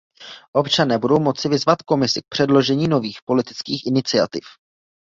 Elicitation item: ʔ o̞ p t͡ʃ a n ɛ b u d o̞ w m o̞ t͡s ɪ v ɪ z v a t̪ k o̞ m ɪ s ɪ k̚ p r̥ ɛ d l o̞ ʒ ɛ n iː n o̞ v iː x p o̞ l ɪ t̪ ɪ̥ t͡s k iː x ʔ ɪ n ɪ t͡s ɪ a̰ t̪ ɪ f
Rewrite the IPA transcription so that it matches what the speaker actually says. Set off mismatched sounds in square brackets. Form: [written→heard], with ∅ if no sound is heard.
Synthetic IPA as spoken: ʔ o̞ p t͡ʃ a n [ɛ→ɛː] b u d o̞ w m o̞ t͡s ɪ v ɪ z v a t̪ k o̞ m ɪ s ɪ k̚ p r̥ ɛ d l o̞ ʒ ɛ [n→ɲ] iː n o̞ v iː x p o̞ l ɪ t̪ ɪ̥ t͡s k iː x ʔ ɪ n ɪ t͡s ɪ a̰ t̪ ɪ f